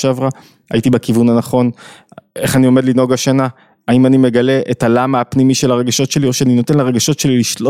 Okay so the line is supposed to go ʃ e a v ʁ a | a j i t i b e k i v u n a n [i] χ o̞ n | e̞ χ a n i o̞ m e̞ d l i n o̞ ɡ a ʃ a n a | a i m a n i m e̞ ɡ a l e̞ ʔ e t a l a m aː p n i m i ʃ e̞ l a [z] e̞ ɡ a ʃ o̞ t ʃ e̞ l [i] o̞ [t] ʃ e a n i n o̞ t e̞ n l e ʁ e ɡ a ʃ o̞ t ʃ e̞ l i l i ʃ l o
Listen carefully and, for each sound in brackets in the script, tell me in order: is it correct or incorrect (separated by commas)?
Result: incorrect, incorrect, correct, incorrect